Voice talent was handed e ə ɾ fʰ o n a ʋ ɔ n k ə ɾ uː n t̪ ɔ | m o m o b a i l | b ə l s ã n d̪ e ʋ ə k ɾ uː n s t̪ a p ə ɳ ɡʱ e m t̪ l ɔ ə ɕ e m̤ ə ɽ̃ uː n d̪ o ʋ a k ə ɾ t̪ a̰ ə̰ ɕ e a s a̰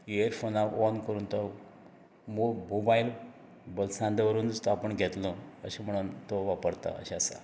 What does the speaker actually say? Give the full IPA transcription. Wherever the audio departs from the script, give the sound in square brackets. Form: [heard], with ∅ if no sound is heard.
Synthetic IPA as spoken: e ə ɾ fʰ o n a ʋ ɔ n k ə ɾ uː n t̪ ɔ | m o m o b a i l | b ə l s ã n d̪ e ʋ ə [∅] ɾ uː n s t̪ a p ə ɳ ɡʱ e [∅] t̪ l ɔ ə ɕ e m̤ ə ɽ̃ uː n [t̪] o ʋ a [p] ə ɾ t̪ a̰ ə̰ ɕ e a s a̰